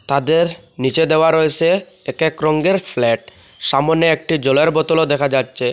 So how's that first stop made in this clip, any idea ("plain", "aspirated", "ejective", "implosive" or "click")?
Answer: plain